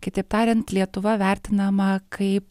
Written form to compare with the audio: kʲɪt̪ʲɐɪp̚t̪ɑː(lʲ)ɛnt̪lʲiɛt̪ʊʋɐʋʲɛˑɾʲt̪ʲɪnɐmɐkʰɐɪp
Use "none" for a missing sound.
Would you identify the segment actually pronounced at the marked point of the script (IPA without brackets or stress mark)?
ɾʲ